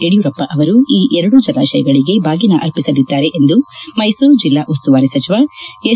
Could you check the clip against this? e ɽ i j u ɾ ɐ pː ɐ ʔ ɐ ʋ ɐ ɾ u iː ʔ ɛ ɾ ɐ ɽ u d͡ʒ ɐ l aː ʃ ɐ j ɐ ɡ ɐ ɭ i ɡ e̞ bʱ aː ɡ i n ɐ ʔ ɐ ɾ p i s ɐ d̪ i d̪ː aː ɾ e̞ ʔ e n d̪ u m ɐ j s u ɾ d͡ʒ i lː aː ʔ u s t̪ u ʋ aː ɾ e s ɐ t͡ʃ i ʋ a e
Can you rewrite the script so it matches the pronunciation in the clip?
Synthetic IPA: e ɽ i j u ɾ ɐ pː ɐ ʔ ɐ ʋ ɐ ɾ u iː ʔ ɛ ɾ ɐ ɽ u d͡ʒ ɐ l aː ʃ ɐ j ɐ ɡ ɐ ɭ i ɡ e̞ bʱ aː ɡ i n ɐ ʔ ɐ ɾ p i s ɐ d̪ i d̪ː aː ɾ e̞ ʔ e n d̪ u m ɐ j s u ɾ d͡ʒ i lː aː ʔ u s t̪ u ʋ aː ɾ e s ɐ t͡ʃ i ʋ a e

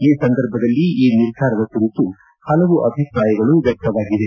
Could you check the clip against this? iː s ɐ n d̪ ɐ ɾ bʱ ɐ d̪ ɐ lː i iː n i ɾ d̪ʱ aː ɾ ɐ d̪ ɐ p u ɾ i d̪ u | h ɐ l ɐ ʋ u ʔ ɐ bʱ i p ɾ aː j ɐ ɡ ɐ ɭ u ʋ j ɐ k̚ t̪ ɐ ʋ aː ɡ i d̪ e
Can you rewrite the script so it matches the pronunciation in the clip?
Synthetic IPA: iː s ɐ n d̪ ɐ ɾ bʱ ɐ d̪ ɐ lː i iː n i ɾ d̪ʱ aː ɾ ɐ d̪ ɐ k u ɾ i t̪ u | h ɐ l ɐ ʋ u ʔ ɐ bʱ i p ɾ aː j ɐ ɡ ɐ ɭ u ʋ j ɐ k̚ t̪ ɐ ʋ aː ɡ i d̪ e

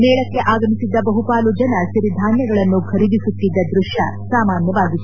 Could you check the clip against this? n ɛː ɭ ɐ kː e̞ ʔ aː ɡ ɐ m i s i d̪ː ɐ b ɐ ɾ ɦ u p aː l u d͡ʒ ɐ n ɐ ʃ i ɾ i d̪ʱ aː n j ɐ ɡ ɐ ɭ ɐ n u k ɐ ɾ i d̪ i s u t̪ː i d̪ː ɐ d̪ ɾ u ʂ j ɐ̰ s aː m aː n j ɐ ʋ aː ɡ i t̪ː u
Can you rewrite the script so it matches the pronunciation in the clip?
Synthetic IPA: n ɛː ɭ ɐ kː e̞ ʔ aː ɡ ɐ m i s i d̪ː ɐ b ɐ ɦ u p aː l u d͡ʒ ɐ n ɐ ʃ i ɾ i d̪ʱ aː n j ɐ ɡ ɐ ɭ ɐ nː u kʰ ɐ ɾ i d̪ i s u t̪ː i d̪ː ɐ d̪ ɾ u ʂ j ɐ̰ s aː m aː n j ɐ ʋ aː ɡ i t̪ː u

